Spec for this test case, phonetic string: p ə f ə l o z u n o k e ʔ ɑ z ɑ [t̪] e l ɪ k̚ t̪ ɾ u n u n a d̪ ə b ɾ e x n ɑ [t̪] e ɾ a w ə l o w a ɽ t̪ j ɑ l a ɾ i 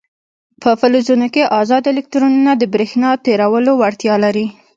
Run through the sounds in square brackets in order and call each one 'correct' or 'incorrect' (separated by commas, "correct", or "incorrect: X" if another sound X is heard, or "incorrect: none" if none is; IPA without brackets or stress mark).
incorrect: d̪, correct